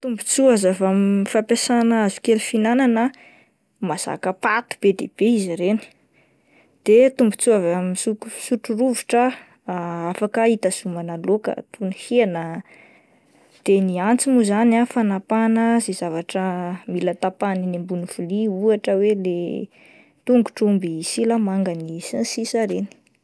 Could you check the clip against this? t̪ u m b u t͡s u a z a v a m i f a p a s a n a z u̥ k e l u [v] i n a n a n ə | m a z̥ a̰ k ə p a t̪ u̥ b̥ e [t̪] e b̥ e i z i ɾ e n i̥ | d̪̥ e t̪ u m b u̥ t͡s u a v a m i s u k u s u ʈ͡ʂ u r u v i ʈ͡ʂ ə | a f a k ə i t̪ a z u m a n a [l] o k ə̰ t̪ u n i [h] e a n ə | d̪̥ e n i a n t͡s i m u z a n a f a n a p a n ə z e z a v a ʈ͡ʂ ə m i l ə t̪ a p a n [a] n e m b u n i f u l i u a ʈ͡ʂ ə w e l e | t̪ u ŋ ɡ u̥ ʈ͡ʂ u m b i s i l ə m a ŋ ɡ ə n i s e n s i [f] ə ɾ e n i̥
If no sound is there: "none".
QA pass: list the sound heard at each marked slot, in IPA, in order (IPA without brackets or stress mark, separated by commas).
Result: f, d̪, l, h, i, s